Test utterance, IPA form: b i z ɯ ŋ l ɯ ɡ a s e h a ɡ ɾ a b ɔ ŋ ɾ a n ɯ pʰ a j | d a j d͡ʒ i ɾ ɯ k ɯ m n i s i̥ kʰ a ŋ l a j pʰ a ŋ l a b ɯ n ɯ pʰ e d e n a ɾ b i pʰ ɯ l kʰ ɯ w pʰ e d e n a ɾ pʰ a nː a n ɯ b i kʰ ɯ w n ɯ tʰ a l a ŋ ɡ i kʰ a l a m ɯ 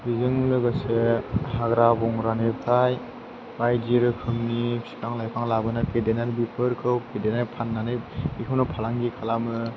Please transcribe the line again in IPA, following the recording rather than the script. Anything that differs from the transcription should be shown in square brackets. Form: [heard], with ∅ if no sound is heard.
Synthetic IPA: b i z ɯ ŋ l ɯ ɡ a s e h a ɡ ɾ a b ɔ ŋ ɾ a n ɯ pʰ a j | [b] a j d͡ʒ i ɾ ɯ [kʰ] ɯ m n i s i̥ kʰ a ŋ l a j pʰ a ŋ l a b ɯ n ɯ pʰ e d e n a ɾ b i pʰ ɯ [ɾ] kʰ ɯ w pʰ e d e n a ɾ pʰ a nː a n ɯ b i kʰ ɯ w n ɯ [pʰ] a l a ŋ ɡ i kʰ a l a m ɯ